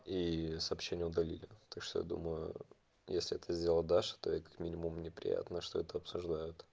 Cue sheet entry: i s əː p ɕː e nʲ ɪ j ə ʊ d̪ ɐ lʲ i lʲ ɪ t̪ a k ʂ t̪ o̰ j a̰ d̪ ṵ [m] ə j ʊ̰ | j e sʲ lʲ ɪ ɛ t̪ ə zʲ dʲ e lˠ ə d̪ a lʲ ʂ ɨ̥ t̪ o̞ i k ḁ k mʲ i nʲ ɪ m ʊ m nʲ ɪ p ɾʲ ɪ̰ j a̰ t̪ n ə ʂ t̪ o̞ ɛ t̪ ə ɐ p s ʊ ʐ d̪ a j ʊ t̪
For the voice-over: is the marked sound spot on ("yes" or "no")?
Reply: yes